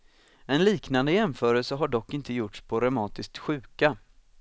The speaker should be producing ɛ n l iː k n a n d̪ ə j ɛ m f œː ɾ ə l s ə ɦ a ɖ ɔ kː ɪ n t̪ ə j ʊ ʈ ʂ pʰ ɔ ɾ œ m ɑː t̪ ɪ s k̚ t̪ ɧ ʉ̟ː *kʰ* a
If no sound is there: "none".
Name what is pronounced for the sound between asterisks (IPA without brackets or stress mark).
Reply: k